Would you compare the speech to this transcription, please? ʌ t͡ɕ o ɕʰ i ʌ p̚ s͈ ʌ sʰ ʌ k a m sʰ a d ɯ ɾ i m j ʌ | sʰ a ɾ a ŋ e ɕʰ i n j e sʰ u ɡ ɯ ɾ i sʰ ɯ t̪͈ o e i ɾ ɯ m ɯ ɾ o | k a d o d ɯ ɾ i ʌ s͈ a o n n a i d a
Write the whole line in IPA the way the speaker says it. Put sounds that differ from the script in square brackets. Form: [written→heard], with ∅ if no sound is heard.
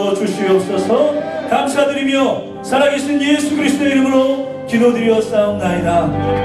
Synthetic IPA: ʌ t͡ɕ [o→u] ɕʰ i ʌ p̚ s͈ ʌ sʰ ʌ k a m sʰ a d ɯ ɾ i m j ʌ | sʰ a ɾ a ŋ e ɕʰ i n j e sʰ u ɡ ɯ ɾ i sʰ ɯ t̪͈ o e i ɾ ɯ m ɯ ɾ o | k [a→i] d o d ɯ ɾ i ʌ s͈ a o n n a i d a